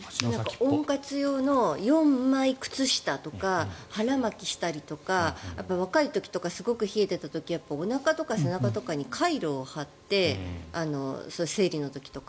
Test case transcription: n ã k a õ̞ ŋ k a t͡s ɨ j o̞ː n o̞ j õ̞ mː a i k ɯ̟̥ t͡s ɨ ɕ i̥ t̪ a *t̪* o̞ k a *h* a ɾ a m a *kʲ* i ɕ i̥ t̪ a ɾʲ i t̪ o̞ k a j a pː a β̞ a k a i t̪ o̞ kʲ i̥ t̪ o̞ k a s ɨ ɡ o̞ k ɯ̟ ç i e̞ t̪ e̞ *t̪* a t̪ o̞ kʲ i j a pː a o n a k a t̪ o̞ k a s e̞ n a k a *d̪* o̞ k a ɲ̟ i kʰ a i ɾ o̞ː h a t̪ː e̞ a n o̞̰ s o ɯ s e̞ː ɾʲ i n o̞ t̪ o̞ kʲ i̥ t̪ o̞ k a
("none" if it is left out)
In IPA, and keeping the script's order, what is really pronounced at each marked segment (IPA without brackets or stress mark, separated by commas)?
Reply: t̪, h, kʲ, t̪, t̪